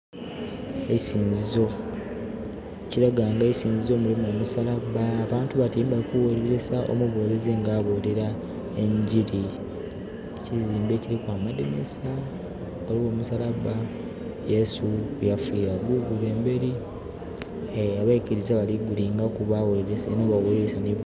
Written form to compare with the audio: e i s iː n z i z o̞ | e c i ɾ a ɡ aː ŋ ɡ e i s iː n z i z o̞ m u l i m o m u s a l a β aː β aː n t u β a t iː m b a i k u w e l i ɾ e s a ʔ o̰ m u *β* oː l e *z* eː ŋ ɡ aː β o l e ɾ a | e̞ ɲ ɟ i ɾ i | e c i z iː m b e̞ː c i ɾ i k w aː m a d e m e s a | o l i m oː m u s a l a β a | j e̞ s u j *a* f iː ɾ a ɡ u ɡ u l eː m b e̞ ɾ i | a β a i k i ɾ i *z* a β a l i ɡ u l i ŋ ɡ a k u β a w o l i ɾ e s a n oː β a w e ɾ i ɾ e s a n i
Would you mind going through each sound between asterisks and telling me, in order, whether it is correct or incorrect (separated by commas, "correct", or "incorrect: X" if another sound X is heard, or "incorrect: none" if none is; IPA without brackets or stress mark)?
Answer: correct, correct, correct, correct